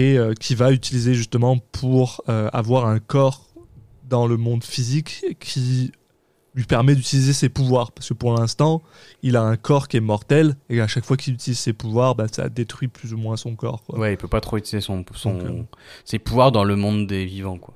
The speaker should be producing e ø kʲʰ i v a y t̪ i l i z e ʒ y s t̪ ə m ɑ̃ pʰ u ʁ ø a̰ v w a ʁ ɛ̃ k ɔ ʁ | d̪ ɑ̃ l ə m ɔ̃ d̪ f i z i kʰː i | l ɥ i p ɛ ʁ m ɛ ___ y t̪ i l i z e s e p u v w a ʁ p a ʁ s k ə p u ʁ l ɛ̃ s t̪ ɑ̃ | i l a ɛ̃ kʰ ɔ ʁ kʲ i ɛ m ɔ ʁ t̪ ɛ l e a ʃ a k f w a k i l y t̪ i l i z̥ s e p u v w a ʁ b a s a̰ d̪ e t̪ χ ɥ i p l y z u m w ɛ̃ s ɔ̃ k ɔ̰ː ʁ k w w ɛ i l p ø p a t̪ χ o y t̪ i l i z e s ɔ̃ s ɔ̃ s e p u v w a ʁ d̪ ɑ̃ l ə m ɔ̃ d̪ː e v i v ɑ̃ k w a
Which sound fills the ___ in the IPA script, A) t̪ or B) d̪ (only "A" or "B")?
B